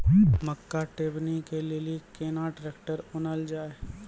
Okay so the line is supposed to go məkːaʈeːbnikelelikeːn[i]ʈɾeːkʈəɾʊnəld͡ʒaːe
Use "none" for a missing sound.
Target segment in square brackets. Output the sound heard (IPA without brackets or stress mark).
a